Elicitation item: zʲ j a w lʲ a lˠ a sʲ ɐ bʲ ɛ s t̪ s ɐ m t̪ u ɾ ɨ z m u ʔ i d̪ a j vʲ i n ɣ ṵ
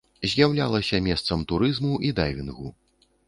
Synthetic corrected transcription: zʲ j a w lʲ a lˠ ɐ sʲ ɐ mʲ ɛ s t̪ s ɐ m t̪ u ɾ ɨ z m u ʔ i d̪ a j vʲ i n ɣ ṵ